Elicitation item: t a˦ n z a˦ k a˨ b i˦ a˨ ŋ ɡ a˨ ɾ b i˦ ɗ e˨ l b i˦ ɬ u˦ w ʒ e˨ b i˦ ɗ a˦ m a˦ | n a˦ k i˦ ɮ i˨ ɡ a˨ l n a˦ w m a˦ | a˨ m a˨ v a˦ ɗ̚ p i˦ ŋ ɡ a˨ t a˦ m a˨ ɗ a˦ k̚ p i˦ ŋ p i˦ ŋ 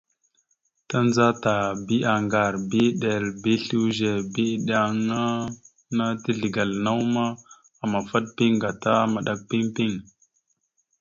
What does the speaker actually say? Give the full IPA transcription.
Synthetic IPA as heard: t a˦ n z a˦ t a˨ b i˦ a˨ ŋ ɡ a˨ ɾ b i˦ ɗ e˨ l b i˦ ɬ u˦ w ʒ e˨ b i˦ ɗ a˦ ŋ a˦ | n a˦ t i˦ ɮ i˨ ɡ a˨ l n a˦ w m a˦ | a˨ m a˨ f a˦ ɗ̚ p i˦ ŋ ɡ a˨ t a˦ m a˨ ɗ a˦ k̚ p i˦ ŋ p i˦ ŋ